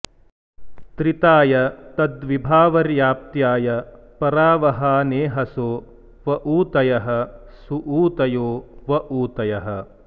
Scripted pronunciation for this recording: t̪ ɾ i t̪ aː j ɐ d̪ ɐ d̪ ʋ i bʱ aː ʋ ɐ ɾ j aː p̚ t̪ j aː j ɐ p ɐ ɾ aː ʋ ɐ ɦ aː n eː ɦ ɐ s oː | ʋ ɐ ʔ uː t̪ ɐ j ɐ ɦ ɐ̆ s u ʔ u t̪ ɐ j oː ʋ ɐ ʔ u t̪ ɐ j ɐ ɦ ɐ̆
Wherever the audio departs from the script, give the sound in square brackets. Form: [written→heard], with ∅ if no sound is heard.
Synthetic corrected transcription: t̪ ɾ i t̪ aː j ɐ [d̪→t̪] ɐ d̪ ʋ i bʱ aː ʋ ɐ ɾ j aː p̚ t̪ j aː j ɐ p ɐ ɾ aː ʋ ɐ ɦ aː n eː ɦ ɐ s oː | ʋ ɐ ʔ uː t̪ ɐ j ɐ ɦ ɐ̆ s u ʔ [u→uː] t̪ ɐ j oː ʋ ɐ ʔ [u→uː] t̪ ɐ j ɐ ɦ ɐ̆